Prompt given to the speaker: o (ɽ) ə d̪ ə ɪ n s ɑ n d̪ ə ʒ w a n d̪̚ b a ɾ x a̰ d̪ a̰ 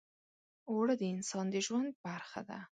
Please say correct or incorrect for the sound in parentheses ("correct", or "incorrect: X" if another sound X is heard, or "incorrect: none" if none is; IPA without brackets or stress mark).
correct